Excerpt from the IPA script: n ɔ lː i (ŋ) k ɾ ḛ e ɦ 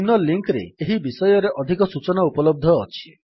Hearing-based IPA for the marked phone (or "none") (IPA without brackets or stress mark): ŋ